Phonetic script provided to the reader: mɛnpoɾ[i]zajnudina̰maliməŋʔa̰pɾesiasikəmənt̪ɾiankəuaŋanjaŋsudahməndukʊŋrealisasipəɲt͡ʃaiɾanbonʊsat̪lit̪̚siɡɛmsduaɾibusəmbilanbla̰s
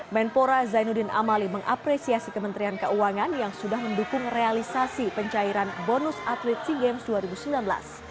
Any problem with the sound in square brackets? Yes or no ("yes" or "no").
yes